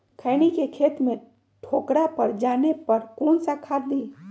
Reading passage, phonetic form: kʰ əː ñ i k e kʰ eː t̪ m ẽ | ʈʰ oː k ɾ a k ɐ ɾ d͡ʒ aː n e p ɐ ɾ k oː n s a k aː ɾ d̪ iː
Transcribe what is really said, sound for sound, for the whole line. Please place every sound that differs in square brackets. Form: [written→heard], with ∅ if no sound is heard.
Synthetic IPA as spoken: kʰ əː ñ i k e kʰ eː t̪ m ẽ | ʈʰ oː k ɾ a [k→p] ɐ ɾ d͡ʒ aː n e p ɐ ɾ k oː n s a [k→kʰ] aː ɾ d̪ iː